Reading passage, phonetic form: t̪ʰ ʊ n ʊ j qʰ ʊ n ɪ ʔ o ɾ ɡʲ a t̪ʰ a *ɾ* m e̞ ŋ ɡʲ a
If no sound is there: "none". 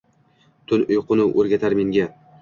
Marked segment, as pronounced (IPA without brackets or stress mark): ɾ